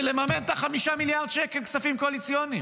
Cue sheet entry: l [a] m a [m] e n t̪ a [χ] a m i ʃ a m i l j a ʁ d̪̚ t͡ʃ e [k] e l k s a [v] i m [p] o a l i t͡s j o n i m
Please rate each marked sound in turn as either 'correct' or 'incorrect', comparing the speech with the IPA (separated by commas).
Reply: incorrect, correct, correct, correct, incorrect, incorrect